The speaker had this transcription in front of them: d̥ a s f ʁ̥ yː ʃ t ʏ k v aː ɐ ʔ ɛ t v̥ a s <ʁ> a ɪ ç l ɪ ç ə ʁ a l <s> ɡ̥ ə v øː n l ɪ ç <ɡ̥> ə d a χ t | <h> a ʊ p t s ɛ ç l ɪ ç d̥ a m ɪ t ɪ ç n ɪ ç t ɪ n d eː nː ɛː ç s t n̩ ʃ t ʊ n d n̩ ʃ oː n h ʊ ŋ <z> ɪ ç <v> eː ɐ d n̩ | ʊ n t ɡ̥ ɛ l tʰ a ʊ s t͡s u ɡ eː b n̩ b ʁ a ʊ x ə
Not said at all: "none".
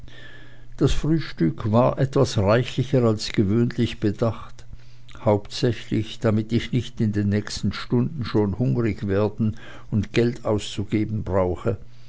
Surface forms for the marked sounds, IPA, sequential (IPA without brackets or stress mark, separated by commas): ʁ, s, b̥, h, ʁ, v